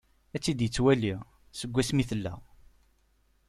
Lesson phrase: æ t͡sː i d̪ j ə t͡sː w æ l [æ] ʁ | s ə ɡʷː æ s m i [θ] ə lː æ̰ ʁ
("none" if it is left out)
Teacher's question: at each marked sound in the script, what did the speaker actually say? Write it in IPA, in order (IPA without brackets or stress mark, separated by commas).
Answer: i, θ